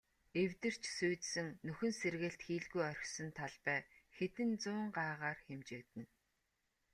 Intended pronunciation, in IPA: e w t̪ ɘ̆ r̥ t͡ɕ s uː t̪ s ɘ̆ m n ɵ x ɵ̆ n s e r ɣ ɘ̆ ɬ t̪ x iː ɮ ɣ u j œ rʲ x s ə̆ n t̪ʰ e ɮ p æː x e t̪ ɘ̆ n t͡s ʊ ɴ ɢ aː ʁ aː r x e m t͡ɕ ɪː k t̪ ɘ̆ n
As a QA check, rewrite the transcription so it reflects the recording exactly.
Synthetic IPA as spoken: e w t̪ ɘ̆ r̥ t͡ɕ s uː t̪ s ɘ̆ ŋ n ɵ x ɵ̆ n s e r ɣ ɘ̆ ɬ t̪ x iː ɮ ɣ u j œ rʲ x s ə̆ n t̪ʰ a ɮ p æː x e t̪ ɘ̆ n t͡s ʊː ɴ ɢ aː ʁ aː r x e m t͡ɕ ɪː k t̪ ɘ̆ n